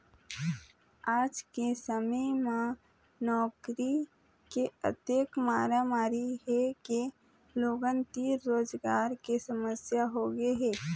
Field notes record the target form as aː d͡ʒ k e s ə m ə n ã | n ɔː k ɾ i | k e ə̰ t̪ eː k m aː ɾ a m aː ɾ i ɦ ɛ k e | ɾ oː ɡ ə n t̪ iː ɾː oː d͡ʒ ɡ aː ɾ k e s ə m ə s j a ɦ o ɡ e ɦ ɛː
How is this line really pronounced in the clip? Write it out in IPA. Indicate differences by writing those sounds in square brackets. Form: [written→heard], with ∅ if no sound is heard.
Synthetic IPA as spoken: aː d͡ʒ k e s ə m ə [n→m] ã | n ɔː k ɾ i | k e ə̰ t̪ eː k m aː ɾ a m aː ɾ i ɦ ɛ k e | [ɾ→l] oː ɡ ə n t̪ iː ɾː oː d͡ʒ ɡ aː ɾ k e s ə m ə s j a ɦ o ɡ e ɦ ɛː